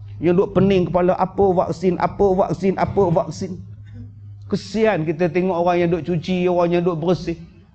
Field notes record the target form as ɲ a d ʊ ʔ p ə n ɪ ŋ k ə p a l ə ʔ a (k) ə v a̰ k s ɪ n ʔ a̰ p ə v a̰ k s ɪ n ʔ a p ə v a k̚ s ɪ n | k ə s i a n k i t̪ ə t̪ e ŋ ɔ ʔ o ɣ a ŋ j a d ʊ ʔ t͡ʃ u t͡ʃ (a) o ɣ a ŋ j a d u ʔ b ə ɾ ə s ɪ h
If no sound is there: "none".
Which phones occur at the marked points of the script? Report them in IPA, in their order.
p, i

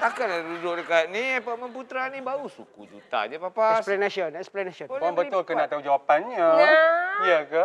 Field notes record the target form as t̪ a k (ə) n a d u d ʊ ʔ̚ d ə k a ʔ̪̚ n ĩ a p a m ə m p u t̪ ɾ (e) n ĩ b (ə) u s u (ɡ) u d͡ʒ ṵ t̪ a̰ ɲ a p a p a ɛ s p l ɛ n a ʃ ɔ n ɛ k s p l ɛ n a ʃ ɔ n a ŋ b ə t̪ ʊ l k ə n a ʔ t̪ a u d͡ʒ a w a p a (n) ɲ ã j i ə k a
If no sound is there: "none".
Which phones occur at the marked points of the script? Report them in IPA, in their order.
a, a, a, k, n

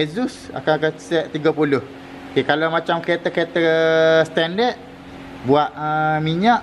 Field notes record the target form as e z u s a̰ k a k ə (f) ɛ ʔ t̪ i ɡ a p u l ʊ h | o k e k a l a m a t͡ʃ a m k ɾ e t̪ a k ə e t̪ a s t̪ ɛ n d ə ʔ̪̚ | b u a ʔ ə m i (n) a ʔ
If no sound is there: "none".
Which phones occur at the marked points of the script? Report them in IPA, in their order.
s, ɲ

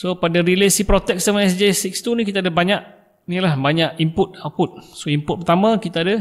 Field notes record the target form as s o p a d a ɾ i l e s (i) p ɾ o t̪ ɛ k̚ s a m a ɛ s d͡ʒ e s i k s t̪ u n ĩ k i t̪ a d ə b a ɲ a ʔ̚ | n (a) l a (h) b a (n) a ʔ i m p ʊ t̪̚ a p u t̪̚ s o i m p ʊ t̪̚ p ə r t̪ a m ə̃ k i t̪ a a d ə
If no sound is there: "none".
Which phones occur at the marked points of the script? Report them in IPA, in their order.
i, i, h, ɲ

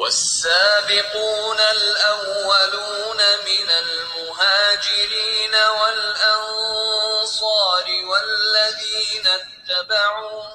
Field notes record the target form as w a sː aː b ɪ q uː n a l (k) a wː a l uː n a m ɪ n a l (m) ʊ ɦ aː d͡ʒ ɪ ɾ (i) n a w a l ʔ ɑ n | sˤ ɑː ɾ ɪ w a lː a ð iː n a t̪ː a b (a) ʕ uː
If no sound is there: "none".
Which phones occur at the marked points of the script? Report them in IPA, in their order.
ʔ, m, iː, a

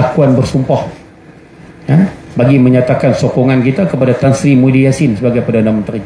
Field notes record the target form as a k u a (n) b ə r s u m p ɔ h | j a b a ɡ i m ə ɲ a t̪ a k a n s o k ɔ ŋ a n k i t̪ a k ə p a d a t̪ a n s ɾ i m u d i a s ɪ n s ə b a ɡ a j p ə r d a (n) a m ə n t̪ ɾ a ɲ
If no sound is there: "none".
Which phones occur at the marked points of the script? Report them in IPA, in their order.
n, n

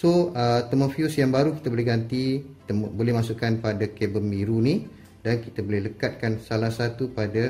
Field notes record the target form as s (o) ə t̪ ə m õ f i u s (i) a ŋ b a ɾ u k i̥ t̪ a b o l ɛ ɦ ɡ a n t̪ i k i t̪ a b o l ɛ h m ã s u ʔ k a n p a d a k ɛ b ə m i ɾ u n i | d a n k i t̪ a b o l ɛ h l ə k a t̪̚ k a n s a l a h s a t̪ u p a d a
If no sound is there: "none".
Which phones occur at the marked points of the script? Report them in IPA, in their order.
o, j

